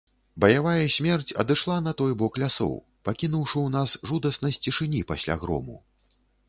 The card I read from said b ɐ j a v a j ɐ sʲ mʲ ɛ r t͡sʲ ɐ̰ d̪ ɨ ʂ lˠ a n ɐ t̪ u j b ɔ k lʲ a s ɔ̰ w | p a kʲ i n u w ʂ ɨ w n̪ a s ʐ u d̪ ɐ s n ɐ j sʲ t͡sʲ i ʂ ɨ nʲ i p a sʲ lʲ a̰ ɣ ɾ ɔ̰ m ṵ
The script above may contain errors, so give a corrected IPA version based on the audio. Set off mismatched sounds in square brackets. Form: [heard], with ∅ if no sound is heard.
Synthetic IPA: b ɐ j a v a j ɐ sʲ mʲ ɛ r t͡sʲ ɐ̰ d̪ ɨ ʂ lˠ a n ɐ t̪ [ɔ] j b ɔ k lʲ a s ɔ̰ w | p a kʲ i n u w ʂ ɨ w n̪ a s ʐ u d̪ ɐ s n ɐ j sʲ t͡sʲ i ʂ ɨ nʲ i p a sʲ lʲ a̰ ɣ ɾ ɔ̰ m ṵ